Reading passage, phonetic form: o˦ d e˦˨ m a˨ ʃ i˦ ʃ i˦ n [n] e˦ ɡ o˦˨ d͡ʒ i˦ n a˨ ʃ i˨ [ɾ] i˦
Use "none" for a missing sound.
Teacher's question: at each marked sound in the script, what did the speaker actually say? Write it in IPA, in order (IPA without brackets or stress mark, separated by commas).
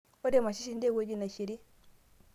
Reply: d, ɾ